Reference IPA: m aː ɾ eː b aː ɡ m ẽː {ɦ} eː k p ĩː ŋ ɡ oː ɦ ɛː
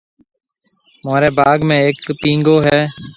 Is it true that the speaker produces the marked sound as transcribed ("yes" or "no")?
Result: no